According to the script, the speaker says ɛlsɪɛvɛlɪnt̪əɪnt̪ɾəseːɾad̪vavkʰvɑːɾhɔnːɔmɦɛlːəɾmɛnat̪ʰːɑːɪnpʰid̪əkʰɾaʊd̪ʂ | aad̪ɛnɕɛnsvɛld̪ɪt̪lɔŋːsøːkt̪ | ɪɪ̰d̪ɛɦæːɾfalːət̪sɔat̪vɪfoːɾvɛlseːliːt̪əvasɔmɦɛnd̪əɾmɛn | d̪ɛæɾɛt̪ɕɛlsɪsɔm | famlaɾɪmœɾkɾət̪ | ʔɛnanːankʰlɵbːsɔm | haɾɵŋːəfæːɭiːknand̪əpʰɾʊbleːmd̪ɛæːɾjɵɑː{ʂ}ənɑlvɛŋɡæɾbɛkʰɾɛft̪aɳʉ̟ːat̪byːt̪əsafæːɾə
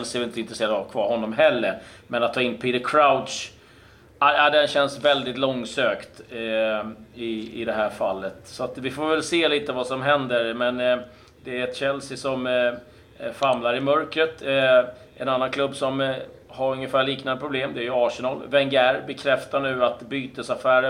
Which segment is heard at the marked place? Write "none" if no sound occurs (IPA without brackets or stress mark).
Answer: ʂ